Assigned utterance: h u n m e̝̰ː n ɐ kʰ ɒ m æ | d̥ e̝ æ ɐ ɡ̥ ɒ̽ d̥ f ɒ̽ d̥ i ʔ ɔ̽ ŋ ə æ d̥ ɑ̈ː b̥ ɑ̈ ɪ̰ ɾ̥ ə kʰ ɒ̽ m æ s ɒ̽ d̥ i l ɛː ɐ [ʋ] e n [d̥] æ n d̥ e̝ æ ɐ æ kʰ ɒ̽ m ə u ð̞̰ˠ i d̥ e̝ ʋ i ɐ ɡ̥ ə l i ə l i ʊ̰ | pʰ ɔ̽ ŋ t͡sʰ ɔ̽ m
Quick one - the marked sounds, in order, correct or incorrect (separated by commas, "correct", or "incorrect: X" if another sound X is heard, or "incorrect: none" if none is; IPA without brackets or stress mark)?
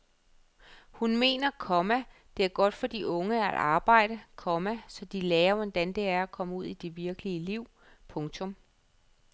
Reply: correct, correct